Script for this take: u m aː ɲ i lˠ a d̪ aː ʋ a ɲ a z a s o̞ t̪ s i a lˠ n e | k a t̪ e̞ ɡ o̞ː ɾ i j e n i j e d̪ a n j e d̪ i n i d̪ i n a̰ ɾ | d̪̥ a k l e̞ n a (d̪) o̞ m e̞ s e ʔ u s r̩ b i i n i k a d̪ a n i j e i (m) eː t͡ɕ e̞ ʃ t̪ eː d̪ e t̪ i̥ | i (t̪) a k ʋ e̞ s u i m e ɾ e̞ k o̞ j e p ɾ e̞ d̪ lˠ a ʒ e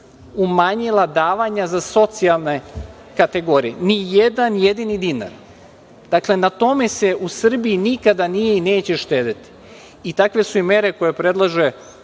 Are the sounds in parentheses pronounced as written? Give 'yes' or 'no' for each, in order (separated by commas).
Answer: no, no, yes